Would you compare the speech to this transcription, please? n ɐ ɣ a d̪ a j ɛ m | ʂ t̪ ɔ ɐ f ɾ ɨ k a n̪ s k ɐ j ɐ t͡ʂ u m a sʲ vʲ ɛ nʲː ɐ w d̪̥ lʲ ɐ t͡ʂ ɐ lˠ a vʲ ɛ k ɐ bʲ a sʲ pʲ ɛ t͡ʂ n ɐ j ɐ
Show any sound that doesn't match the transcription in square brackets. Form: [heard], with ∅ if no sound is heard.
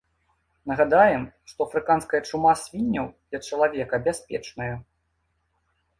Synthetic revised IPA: n ɐ ɣ a d̪ a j ɛ m | ʂ t̪ ɔ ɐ f ɾ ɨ k a n̪ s k ɐ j ɐ t͡ʂ u m a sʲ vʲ [i] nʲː ɐ w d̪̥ lʲ ɐ t͡ʂ ɐ lˠ a vʲ ɛ k ɐ bʲ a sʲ pʲ ɛ t͡ʂ n ɐ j ɐ

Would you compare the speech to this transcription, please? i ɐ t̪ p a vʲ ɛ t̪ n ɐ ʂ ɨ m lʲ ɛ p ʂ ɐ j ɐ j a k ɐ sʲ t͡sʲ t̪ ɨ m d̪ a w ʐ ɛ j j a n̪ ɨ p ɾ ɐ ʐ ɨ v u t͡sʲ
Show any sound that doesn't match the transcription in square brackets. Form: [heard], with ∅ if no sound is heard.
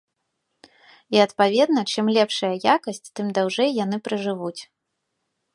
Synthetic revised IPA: i ɐ t̪ p a vʲ ɛ [d̪] n ɐ [t͡ʂ] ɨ m lʲ ɛ p ʂ ɐ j ɐ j a k ɐ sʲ t͡sʲ t̪ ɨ m d̪ a w ʐ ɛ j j a n̪ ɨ p ɾ ɐ ʐ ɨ v u t͡sʲ

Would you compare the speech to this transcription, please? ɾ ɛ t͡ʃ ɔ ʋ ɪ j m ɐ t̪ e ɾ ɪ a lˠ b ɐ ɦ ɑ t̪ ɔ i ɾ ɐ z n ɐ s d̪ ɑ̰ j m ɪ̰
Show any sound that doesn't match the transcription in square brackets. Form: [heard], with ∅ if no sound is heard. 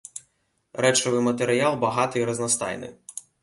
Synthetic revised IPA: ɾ ɛ t͡ʃ ɔ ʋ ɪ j m ɐ t̪ e ɾ ɪ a lˠ b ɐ ɦ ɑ t̪ ɔ i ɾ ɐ z n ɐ s [t̪] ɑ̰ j [n] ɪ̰

